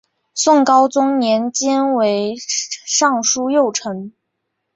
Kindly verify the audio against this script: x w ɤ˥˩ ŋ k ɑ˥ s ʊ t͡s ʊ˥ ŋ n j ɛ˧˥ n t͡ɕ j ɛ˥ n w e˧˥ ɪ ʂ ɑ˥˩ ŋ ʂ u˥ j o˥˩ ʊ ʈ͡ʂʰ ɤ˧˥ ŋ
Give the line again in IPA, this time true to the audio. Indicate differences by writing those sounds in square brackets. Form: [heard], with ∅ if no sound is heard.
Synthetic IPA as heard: [s] w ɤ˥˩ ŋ k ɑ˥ [∅] ʊ t͡s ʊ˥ ŋ n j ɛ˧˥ n t͡ɕ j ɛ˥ n w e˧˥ ɪ ʂ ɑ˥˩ ŋ ʂ u˥ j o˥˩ ʊ ʈ͡ʂʰ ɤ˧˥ ŋ